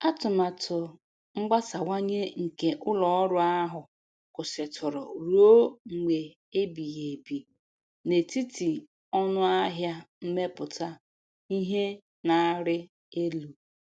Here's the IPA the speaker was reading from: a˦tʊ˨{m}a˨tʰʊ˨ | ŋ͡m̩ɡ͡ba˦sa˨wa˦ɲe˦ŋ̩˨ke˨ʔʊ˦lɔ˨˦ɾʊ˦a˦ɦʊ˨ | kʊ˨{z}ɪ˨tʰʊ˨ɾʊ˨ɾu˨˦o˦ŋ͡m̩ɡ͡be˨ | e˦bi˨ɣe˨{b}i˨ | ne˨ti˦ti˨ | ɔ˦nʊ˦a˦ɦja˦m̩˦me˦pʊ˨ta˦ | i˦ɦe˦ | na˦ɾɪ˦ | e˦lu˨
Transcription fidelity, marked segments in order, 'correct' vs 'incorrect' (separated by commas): correct, incorrect, correct